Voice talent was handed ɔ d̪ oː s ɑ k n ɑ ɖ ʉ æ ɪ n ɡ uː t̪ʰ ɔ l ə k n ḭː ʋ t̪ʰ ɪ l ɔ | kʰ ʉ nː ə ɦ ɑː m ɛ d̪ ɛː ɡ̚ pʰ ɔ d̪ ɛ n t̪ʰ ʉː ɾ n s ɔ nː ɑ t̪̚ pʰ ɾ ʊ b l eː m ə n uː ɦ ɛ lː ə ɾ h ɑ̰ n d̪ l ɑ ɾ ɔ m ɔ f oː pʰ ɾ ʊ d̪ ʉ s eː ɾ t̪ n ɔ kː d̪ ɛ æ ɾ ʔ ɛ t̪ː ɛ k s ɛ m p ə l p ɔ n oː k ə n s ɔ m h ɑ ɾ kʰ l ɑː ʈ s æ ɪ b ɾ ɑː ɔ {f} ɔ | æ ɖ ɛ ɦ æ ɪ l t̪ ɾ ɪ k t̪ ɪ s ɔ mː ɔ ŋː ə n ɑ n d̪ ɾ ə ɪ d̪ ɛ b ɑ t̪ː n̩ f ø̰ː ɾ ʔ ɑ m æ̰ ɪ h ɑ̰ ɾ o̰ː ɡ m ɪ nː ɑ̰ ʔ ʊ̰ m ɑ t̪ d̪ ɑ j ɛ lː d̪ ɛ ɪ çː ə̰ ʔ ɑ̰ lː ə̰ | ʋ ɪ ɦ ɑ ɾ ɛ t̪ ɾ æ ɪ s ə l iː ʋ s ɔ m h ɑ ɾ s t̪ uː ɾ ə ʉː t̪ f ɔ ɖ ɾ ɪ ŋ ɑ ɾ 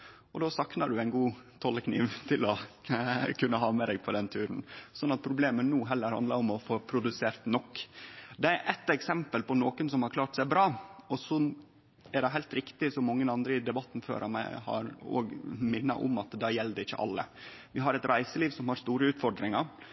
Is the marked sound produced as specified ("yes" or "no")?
no